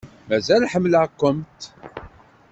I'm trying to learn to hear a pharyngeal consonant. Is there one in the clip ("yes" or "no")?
yes